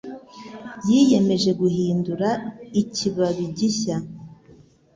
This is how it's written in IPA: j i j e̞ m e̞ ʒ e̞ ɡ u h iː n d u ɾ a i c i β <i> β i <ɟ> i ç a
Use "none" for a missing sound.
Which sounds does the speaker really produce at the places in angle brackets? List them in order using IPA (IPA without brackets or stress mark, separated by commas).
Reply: a, ɟ